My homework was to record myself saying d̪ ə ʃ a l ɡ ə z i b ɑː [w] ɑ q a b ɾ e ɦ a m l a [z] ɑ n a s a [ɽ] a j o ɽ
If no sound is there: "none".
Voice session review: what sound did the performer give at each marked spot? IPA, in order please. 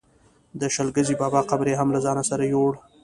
b, z, ɾ

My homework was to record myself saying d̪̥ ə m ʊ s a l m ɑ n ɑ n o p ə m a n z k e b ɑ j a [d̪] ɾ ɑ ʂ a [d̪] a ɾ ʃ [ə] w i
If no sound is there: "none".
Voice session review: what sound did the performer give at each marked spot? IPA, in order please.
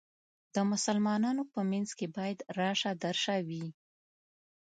d̪, d̪, a

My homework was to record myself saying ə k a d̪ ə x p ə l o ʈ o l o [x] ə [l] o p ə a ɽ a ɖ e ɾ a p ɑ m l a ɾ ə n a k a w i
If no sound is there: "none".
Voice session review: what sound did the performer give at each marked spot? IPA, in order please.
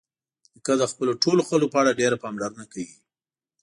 x, l

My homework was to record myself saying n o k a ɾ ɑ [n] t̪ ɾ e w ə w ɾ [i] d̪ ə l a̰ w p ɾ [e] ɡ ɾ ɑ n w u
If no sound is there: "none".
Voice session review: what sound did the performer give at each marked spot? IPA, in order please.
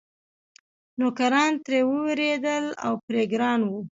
n, e, e

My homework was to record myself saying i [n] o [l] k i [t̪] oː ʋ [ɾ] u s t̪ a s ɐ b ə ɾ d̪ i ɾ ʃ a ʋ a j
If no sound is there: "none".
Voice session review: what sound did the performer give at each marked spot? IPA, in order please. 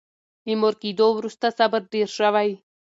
m, ɾ, d̪, ɾ

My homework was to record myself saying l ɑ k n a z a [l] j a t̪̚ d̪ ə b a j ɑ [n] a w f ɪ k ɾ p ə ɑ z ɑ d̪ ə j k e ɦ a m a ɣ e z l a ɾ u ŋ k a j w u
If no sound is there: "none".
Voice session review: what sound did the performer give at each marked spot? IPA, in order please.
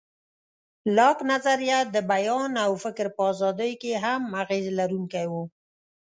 ɾ, n

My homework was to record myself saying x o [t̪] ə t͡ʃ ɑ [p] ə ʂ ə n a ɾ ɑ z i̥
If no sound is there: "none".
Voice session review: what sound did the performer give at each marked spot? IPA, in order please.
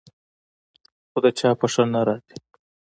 d̪, p

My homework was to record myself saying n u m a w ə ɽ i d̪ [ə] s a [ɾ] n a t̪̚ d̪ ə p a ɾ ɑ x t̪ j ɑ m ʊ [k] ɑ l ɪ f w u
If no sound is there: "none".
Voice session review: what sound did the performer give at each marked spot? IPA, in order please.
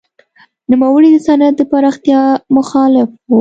ə, none, x

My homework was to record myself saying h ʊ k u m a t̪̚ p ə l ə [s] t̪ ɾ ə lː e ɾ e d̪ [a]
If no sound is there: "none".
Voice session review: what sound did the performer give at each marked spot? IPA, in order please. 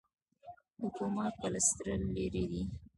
s, i

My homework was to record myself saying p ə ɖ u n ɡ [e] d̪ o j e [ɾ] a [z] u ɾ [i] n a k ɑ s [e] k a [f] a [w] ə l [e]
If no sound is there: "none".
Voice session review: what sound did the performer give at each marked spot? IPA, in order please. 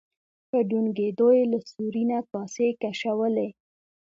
e, l, s, i, e, ʃ, w, e

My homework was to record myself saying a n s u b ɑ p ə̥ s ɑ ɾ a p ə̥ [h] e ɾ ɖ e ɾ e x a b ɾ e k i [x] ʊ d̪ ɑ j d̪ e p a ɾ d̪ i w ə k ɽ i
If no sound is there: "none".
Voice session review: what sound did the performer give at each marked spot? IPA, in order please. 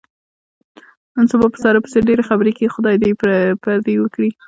s, x

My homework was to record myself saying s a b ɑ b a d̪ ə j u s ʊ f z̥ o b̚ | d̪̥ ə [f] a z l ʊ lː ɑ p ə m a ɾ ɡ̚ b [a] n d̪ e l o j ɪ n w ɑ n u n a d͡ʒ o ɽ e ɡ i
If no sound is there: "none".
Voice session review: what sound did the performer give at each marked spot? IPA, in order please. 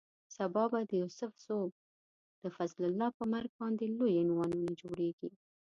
f, ɑ

